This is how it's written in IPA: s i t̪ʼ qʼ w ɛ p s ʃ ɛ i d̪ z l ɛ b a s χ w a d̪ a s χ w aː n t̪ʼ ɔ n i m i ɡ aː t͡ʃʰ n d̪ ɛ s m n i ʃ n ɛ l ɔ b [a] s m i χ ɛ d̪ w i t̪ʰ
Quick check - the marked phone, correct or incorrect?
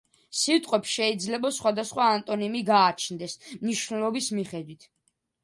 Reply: incorrect